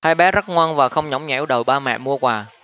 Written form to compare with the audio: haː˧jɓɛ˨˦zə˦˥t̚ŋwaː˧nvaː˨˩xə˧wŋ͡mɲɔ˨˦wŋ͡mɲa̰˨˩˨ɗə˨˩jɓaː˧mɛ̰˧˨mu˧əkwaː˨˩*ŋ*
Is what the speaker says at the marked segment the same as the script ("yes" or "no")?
no